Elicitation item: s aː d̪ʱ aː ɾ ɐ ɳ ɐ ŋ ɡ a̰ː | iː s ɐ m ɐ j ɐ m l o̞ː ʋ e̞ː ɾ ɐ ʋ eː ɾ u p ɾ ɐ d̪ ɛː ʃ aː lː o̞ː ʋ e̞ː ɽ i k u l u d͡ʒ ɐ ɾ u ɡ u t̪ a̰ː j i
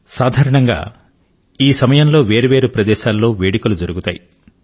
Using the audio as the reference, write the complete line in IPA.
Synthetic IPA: s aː d̪ʱ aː ɾ ɐ ɳ ɐ ŋ ɡ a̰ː | iː s ɐ m ɐ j ɐ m l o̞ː ʋ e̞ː ɾ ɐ ʋ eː ɾ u p ɾ ɐ d̪ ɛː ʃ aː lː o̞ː ʋ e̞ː ɽ i k u l u d͡ʒ ɐ ɾ u ɡ u t̪ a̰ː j i